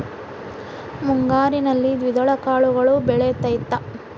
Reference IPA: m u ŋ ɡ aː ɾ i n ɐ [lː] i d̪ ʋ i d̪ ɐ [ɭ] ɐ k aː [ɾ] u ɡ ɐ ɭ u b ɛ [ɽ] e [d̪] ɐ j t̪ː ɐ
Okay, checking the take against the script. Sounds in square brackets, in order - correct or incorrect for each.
correct, correct, incorrect, incorrect, incorrect

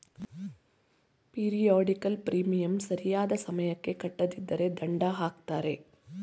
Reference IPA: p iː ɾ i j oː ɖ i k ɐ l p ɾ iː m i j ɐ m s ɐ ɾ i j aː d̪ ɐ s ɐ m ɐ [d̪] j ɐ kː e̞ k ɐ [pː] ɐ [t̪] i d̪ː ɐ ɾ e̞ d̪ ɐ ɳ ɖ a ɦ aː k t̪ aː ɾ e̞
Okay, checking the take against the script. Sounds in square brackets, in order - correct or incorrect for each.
incorrect, incorrect, incorrect

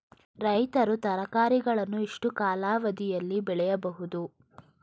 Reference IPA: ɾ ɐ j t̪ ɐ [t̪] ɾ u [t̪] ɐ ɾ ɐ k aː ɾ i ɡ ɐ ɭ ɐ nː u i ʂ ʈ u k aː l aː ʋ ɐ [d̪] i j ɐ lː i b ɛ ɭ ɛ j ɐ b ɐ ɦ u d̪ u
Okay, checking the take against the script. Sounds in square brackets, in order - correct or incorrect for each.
incorrect, correct, correct

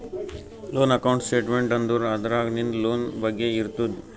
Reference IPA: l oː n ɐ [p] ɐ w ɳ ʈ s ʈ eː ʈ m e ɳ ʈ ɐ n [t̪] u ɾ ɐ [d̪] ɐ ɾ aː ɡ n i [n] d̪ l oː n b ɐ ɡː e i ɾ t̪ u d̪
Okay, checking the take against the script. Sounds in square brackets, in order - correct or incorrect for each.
incorrect, incorrect, correct, correct

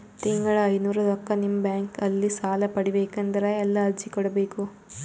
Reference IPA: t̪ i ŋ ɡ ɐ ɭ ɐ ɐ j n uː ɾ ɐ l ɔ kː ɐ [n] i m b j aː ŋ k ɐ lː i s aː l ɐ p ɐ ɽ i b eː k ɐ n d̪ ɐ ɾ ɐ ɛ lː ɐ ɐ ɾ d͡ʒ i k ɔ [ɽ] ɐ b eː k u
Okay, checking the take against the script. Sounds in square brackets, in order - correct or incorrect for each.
correct, correct

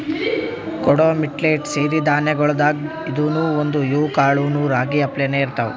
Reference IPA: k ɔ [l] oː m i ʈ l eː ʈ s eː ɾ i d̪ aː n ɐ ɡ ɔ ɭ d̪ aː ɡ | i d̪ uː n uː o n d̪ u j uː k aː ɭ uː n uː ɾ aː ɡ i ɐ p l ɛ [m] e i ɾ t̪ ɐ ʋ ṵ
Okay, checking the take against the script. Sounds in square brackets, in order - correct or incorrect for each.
incorrect, incorrect

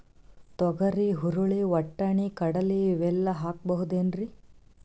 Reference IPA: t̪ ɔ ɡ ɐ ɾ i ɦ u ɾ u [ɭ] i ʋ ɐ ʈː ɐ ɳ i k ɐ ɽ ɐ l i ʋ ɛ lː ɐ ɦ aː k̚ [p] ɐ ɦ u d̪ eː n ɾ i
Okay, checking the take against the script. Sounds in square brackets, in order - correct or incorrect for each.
correct, incorrect

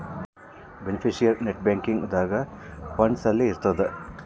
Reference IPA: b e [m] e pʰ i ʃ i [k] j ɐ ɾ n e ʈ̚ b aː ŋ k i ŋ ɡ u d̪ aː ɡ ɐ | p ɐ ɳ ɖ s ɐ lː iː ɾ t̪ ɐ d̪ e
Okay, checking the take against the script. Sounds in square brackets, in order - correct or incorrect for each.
incorrect, incorrect

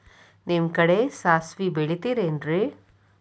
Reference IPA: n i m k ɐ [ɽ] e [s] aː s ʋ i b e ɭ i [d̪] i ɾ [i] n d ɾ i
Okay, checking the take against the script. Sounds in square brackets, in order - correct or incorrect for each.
correct, correct, incorrect, incorrect

